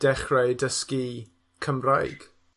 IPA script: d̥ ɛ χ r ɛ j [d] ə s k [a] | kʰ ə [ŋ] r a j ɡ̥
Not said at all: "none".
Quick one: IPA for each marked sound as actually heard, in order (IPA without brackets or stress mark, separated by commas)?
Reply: d, i, m